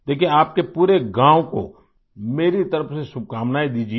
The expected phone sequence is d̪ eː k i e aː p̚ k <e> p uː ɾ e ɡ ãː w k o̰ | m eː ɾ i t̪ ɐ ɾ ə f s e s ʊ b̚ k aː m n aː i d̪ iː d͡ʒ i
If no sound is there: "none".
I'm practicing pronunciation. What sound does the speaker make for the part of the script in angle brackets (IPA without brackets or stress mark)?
e